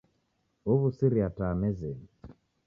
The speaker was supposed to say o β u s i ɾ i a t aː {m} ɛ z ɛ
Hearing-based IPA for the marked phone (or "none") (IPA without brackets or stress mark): m